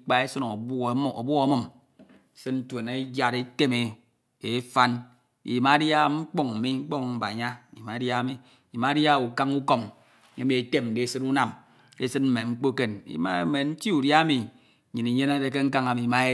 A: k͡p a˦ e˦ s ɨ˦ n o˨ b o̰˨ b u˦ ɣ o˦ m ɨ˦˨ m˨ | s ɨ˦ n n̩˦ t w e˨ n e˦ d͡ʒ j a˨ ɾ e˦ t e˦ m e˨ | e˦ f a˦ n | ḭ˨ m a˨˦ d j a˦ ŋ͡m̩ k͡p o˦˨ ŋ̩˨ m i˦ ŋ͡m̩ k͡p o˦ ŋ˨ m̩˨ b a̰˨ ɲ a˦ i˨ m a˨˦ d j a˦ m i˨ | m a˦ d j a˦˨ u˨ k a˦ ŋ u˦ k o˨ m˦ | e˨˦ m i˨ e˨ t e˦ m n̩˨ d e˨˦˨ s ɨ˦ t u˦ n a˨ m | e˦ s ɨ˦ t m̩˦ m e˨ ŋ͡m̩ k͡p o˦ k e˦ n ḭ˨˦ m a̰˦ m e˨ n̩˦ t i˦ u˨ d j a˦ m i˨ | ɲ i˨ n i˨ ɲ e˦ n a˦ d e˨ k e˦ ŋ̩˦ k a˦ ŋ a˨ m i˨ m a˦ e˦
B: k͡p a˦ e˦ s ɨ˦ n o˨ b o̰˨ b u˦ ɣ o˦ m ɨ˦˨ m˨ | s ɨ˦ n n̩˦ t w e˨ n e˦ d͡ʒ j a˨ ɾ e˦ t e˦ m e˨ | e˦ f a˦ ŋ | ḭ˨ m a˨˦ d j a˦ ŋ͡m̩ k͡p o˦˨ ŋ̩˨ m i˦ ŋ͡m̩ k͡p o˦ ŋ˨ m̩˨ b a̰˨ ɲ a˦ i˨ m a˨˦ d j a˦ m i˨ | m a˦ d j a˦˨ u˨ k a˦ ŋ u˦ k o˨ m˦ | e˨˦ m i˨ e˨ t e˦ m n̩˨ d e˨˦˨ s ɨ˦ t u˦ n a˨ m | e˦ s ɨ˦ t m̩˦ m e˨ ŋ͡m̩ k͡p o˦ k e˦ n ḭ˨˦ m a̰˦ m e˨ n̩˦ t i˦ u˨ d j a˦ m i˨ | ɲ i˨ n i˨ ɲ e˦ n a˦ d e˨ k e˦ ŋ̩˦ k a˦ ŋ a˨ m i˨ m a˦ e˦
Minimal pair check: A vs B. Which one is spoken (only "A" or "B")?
A